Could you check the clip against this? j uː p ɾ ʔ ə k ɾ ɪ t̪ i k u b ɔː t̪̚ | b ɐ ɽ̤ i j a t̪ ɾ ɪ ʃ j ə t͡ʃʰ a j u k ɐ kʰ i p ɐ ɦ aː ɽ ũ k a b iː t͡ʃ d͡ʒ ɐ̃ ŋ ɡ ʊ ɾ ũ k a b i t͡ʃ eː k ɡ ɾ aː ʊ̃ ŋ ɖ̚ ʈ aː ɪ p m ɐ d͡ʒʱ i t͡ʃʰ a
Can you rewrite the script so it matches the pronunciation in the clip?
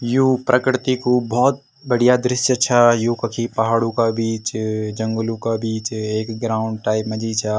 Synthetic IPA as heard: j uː p ɾ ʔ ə k ɾ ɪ t̪ i k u b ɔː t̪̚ | b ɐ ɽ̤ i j a d̪ ɾ ɪ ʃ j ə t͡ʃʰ a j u k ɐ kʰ i p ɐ ɦ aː ɽ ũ k a b iː t͡ʃ d͡ʒ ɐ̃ ŋ ɡ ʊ l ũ k a b iː t͡ʃ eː k ɡ ɾ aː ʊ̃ ɳ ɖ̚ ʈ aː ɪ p m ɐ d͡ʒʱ i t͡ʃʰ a